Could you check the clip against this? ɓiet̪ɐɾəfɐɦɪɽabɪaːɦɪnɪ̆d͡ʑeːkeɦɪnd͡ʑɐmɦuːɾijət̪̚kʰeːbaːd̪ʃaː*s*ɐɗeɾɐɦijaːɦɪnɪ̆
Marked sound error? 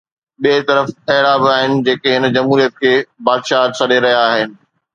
no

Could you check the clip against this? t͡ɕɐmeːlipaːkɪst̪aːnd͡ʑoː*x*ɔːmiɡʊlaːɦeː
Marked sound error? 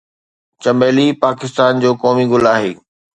yes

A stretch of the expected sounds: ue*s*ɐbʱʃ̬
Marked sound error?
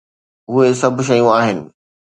no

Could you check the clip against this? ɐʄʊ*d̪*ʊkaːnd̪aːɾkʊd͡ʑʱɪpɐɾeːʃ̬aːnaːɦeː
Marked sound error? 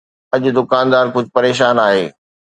no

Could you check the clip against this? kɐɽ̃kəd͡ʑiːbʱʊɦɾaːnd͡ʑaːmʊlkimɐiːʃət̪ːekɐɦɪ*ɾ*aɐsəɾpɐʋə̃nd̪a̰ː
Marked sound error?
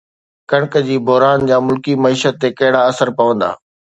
yes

